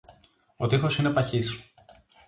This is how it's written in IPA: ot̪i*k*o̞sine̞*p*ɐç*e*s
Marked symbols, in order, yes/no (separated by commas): no, yes, no